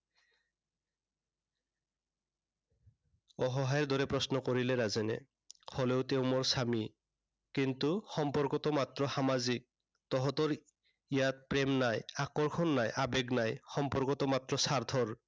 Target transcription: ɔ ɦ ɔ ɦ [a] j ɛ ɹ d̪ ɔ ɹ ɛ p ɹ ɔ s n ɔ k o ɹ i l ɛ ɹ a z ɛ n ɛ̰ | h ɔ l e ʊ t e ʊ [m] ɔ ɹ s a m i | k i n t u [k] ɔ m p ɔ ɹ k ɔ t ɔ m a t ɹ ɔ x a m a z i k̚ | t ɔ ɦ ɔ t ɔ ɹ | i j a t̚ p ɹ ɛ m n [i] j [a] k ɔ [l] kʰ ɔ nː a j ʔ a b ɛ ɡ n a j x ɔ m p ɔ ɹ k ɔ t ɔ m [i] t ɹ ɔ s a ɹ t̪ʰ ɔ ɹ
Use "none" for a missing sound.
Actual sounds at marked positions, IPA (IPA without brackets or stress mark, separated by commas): a, m, x, a, a, ɹ, a